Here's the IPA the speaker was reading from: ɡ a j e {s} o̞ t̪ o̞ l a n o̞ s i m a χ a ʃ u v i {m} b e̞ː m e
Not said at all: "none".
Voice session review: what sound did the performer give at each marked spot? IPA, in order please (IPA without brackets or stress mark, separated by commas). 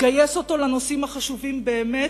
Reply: s, m